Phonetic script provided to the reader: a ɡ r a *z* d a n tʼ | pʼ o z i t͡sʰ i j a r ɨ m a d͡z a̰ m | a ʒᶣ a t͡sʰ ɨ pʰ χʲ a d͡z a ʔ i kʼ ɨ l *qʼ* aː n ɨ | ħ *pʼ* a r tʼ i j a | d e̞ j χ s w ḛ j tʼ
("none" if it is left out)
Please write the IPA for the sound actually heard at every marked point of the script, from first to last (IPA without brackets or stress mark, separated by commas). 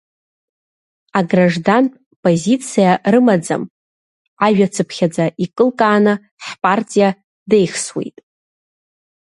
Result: ʐ, kʼ, pʼ